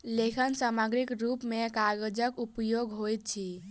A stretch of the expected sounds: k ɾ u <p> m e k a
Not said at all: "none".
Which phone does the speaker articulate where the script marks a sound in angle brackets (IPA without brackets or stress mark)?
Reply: p